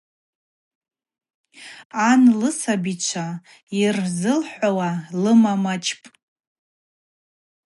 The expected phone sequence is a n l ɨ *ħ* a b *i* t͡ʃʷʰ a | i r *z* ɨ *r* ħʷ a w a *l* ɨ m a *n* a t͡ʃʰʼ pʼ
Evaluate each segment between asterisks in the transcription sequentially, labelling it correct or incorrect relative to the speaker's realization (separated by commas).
incorrect, correct, correct, incorrect, correct, incorrect